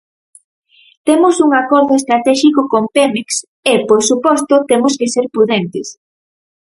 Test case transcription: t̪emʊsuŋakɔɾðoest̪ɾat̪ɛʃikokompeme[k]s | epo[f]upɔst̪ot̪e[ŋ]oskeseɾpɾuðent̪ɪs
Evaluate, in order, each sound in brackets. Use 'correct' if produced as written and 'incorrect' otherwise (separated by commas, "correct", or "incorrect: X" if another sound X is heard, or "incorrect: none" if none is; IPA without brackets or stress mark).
correct, incorrect: s, incorrect: m